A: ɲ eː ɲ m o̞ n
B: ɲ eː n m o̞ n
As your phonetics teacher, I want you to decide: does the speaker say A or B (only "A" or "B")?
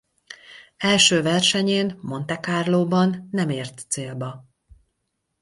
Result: B